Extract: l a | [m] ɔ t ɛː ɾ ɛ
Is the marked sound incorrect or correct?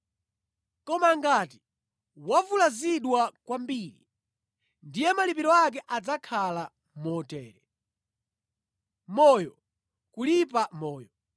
correct